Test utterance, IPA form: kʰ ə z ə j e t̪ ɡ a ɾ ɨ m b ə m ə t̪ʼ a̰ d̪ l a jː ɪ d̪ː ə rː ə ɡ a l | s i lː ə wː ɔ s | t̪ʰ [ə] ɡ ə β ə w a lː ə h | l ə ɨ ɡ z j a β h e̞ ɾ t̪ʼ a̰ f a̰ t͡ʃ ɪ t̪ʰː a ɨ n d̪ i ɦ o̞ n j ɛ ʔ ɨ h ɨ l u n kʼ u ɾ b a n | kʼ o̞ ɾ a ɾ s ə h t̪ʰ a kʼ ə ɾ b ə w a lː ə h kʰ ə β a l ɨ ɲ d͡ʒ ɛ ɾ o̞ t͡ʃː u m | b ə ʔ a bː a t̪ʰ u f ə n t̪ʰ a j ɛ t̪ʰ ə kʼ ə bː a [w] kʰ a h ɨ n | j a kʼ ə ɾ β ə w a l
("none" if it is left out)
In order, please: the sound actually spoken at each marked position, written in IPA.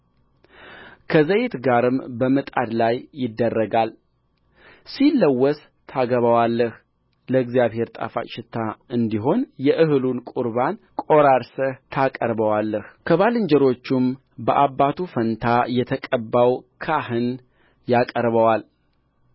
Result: a, w

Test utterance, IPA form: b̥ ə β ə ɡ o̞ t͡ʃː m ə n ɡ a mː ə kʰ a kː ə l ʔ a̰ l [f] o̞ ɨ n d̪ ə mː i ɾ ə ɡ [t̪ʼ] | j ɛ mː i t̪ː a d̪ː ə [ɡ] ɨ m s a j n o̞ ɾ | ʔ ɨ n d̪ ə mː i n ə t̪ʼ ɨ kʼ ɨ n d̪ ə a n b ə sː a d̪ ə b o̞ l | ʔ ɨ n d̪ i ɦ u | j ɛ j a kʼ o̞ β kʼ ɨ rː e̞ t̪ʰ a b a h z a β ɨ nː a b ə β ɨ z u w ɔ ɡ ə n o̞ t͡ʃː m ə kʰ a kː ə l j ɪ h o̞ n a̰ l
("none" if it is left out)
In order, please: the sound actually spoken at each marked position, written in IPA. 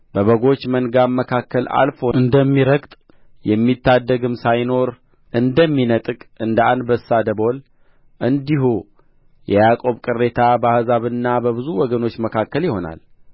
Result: f, t̪ʼ, ɡ

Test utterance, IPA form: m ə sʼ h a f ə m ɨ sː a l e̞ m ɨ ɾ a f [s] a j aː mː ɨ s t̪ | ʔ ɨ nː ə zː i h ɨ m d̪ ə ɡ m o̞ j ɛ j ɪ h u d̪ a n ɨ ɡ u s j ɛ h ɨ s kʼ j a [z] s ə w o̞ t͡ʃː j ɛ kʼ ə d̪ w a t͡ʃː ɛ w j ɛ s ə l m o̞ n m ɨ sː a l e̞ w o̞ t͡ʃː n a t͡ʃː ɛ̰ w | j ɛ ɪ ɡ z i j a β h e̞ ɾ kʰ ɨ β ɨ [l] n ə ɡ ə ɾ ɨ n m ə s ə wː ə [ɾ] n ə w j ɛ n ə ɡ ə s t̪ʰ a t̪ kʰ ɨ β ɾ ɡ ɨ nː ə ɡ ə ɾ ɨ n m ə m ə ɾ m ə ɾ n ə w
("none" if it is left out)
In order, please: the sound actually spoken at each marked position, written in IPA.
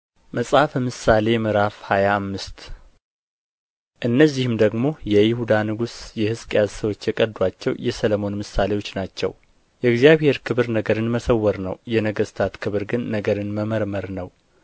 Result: h, z, ɾ, ɾ

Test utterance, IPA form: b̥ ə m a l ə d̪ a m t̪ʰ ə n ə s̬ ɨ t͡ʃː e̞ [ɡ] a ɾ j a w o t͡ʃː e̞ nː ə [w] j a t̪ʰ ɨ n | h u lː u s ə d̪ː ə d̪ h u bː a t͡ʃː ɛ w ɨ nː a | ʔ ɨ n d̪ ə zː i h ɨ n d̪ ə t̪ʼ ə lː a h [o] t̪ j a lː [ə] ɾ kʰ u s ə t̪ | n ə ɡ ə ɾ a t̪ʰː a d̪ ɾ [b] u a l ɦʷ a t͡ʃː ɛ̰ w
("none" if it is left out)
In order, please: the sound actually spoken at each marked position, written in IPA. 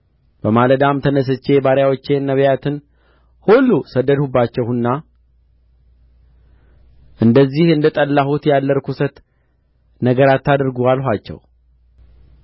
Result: b, β, u, ə, ɡ

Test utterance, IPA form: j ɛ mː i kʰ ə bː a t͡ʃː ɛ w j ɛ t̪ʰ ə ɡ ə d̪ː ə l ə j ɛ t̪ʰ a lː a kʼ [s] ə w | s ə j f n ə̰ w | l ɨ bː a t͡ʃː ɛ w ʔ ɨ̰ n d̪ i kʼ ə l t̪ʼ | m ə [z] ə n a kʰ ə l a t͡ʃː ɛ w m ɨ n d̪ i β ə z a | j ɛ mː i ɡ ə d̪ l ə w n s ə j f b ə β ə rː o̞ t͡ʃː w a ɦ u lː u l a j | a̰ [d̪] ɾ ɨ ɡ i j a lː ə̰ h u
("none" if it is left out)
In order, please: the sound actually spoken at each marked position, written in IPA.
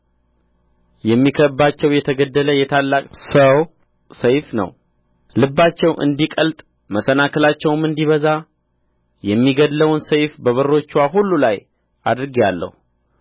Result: s, s, d̪

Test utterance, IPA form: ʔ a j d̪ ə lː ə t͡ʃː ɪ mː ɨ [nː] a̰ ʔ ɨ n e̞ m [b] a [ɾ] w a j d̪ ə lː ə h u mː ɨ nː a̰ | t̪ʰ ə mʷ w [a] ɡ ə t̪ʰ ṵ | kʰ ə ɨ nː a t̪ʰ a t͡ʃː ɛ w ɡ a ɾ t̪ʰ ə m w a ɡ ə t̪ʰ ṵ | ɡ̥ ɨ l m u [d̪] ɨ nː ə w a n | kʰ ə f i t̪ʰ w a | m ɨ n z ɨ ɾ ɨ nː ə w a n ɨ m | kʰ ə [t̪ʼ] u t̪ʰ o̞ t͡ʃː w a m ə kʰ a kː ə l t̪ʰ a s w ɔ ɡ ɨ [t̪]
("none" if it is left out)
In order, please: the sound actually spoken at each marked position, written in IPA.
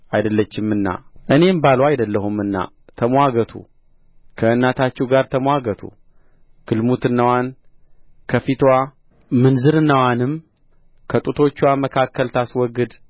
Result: nː, b, l, a, t̪, t̪ʼ, d̪

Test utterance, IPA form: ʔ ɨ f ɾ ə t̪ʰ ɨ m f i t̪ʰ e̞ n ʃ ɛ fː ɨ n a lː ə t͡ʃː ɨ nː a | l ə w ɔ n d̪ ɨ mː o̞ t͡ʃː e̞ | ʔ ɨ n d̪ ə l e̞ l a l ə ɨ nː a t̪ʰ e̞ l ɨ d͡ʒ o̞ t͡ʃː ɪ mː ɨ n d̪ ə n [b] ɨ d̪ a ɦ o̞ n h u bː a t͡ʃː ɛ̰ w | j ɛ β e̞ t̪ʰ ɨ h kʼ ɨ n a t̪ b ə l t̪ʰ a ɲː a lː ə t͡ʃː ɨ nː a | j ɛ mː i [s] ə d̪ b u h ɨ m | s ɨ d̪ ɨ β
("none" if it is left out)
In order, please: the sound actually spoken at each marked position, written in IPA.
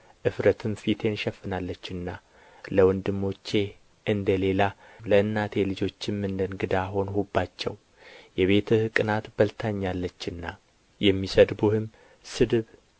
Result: ɡ, s

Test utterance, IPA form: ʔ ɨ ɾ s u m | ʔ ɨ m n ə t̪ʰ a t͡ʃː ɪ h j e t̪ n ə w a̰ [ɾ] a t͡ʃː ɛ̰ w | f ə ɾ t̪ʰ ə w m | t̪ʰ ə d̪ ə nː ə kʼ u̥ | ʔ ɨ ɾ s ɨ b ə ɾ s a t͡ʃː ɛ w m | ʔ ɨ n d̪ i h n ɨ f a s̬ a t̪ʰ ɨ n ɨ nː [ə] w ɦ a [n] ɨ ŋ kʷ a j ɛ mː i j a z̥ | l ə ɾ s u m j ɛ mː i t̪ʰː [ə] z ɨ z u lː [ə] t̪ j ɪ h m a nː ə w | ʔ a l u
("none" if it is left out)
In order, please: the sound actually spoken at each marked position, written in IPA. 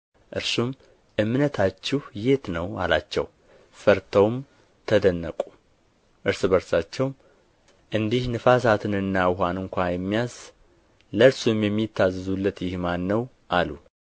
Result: l, a, n, a, ə

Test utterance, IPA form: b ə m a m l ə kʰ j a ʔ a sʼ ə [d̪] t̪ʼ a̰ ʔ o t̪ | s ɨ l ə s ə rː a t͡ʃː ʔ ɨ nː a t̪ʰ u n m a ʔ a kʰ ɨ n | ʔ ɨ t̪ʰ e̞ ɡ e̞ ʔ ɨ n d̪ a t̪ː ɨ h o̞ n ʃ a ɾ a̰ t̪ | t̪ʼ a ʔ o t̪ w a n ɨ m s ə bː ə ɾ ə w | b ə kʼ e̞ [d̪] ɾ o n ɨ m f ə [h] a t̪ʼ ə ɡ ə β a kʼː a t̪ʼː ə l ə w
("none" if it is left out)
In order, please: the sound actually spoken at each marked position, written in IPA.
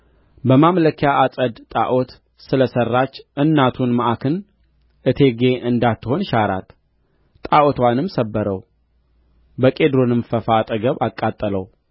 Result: d̪, d̪, f

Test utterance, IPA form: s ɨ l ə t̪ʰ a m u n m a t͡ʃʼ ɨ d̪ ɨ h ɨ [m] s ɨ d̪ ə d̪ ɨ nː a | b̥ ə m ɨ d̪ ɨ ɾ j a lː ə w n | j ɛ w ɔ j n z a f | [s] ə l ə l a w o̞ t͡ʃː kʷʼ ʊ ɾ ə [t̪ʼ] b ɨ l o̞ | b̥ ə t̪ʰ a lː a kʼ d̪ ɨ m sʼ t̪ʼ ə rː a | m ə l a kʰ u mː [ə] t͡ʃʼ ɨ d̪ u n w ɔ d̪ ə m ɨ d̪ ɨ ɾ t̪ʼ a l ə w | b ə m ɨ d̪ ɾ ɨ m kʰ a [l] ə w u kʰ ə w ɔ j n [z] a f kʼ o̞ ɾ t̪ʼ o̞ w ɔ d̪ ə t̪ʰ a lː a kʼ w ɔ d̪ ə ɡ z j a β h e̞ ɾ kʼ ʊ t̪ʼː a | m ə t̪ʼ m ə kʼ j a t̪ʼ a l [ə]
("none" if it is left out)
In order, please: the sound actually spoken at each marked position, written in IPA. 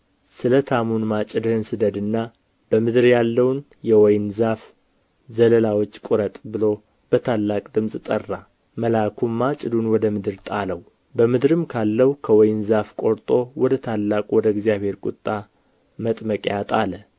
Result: n, z, t̪ʼ, a, lː, z, ə

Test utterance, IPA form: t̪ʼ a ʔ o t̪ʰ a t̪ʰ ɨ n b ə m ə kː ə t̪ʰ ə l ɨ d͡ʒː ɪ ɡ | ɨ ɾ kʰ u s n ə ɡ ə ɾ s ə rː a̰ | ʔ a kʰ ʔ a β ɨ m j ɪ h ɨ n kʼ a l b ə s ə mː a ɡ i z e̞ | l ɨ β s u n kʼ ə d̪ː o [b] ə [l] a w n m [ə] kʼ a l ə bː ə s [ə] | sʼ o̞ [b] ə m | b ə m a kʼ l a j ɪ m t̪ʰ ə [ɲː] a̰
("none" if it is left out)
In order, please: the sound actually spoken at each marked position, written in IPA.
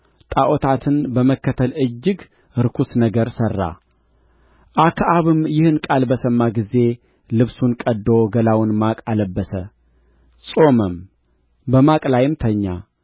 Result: ɡ, l, a, ə, m, ɲː

